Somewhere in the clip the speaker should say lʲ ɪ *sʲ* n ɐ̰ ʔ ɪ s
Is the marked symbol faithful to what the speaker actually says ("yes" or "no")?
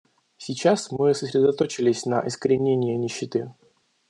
yes